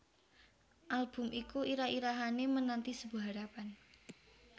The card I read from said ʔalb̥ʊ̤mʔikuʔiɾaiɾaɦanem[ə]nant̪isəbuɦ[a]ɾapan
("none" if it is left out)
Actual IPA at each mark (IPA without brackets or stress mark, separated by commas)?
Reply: ə, a